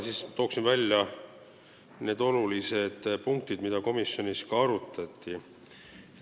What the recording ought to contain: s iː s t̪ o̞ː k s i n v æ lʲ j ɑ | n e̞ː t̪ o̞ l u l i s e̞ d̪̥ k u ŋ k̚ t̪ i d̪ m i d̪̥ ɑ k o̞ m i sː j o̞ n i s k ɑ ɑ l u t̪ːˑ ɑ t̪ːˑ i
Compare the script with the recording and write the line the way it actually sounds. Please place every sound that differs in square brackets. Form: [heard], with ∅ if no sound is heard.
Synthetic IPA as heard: s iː s t̪ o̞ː k s i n v æ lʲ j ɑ | n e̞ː [d̪] o̞ l u l i s e̞ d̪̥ [p] u ŋ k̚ t̪ i d̪ m i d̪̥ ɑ k o̞ m i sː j o̞ n i s k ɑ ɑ [ɾ] u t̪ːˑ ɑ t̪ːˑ i